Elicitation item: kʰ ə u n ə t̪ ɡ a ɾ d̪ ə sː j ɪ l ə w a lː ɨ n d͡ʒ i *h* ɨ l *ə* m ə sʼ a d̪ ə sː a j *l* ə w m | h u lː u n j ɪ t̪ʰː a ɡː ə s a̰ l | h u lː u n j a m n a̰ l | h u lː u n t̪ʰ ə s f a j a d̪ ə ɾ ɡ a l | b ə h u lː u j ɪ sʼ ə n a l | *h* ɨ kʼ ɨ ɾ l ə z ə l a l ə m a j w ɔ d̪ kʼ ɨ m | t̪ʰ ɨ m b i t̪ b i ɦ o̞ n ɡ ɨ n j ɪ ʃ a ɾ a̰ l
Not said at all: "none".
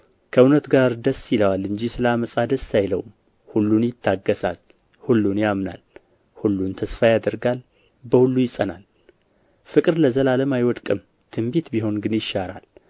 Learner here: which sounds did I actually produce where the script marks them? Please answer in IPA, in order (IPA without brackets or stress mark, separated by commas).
s, a, l, f